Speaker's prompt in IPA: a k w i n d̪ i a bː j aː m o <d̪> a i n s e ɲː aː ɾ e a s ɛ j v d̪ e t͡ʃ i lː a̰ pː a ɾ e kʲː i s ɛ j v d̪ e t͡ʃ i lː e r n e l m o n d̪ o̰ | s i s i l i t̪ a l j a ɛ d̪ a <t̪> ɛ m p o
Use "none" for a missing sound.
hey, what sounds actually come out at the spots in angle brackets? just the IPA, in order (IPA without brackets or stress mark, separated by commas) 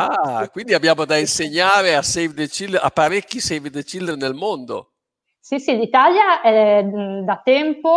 d̪, t̪